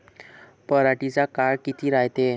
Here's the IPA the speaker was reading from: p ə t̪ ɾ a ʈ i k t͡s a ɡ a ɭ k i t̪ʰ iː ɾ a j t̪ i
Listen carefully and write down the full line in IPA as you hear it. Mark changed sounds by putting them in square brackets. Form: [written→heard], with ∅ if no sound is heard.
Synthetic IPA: p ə [t̪→∅] ɾ a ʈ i [k→∅] t͡s a [ɡ→k] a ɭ k i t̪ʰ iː ɾ a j t̪ [i→e]